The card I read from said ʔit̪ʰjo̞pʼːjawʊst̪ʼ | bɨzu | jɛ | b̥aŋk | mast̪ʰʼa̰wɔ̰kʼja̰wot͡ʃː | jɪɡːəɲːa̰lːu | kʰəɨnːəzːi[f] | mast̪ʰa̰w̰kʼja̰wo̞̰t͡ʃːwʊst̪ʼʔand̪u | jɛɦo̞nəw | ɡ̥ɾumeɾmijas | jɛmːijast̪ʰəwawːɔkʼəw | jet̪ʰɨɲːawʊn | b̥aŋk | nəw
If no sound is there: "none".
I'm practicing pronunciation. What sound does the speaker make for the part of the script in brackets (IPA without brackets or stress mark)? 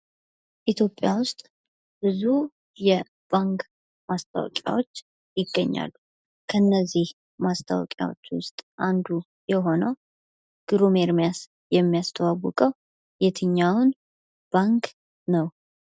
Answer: h